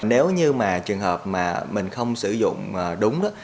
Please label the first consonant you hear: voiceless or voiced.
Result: voiced